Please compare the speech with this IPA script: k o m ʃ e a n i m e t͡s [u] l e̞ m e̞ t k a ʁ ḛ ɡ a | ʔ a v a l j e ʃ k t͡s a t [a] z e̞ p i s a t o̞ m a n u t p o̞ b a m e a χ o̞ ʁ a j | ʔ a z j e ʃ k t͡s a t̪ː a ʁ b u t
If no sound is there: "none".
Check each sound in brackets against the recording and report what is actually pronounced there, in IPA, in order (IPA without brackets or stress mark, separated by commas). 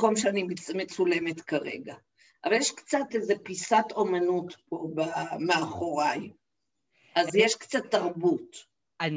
u, e